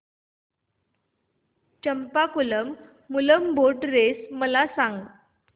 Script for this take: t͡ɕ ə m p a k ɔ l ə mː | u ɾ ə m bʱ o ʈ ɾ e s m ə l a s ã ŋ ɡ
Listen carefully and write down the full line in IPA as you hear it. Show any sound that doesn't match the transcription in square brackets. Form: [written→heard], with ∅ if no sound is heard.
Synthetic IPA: t͡ɕ ə m p a k [ɔ→u] l ə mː | u [ɾ→l] ə m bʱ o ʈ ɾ e s m ə l a s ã ŋ ɡ